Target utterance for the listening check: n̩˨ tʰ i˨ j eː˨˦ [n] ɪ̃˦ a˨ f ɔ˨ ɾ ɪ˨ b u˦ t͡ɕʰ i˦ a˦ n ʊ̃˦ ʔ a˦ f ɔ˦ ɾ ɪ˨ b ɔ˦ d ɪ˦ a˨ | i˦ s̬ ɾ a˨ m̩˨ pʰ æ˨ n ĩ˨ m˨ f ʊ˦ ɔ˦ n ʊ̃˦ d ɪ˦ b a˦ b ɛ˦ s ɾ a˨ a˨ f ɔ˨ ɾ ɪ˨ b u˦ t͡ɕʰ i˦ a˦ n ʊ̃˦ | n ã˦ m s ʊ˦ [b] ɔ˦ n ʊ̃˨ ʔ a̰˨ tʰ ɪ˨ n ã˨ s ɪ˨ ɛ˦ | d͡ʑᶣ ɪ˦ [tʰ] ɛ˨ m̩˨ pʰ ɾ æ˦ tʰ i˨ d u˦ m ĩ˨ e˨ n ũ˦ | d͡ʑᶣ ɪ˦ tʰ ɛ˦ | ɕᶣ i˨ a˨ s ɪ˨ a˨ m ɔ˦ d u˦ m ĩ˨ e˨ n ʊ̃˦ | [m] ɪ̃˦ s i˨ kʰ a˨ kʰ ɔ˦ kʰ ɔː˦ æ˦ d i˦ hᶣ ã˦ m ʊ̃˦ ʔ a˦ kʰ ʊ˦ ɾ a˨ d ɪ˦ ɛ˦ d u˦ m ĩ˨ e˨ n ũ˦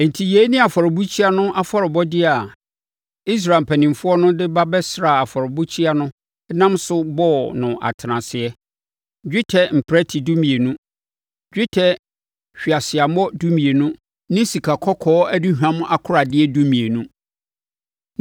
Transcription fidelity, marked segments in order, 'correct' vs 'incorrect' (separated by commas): correct, correct, correct, incorrect